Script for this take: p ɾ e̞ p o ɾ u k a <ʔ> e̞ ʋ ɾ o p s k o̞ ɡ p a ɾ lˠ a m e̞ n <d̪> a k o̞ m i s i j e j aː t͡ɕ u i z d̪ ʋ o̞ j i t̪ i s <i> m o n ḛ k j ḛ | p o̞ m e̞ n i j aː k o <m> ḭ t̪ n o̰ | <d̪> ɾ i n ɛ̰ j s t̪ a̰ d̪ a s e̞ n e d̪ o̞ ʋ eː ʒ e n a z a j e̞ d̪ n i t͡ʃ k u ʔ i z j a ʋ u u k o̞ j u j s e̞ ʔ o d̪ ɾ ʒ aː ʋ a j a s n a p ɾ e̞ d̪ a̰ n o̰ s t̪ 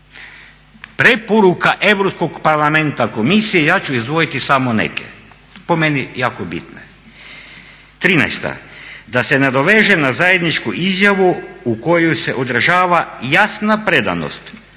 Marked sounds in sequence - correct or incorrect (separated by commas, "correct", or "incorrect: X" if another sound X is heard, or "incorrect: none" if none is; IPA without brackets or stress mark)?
correct, incorrect: t̪, incorrect: a, incorrect: b, incorrect: t̪